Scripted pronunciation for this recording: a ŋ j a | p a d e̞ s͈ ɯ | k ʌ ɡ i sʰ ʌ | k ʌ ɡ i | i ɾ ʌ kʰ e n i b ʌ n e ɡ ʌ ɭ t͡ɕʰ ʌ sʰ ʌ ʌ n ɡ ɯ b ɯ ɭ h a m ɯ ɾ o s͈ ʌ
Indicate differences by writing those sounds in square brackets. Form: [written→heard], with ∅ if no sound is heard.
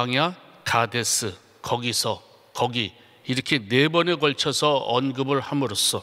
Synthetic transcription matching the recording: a ŋ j a | [p→k] a d e̞ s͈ ɯ | k ʌ ɡ i sʰ ʌ | k ʌ ɡ i | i ɾ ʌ kʰ e n [i→e] b ʌ n e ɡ ʌ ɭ t͡ɕʰ ʌ sʰ ʌ ʌ n ɡ ɯ b ɯ ɭ h a m ɯ ɾ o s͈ ʌ